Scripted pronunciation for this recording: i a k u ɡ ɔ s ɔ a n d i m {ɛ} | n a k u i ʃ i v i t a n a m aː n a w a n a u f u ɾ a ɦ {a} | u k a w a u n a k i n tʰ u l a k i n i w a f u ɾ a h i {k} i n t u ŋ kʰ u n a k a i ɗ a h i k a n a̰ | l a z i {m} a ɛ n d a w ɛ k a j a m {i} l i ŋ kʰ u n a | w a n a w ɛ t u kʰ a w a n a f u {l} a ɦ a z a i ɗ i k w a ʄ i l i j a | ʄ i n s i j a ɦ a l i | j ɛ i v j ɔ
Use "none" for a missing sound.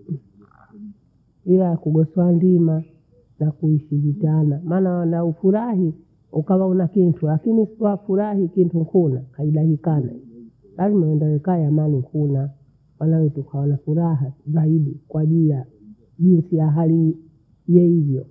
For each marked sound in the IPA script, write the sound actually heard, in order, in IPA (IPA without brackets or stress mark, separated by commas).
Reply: a, i, k, m, a, ɾ